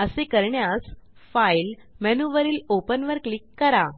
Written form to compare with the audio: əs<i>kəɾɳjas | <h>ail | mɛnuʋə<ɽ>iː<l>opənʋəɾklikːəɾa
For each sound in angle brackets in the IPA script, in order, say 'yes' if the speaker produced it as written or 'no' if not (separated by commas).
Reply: no, no, no, yes